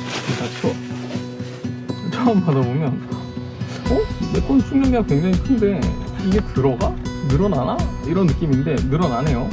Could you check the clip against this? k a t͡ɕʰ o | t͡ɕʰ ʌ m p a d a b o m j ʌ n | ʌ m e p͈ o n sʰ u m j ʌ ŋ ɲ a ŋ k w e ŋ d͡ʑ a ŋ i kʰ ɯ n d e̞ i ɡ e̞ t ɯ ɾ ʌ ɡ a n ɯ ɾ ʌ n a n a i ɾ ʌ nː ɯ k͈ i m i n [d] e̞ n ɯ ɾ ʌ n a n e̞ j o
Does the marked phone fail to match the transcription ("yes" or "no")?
no